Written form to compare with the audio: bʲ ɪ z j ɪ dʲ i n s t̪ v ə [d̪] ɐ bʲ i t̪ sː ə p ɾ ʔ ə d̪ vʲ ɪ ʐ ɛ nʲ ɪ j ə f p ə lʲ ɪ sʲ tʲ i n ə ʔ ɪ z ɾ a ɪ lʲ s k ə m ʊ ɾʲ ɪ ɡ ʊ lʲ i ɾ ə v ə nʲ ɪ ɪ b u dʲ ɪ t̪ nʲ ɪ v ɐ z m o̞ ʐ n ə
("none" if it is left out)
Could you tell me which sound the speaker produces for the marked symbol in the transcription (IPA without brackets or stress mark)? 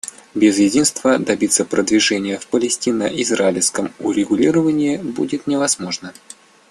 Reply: d̪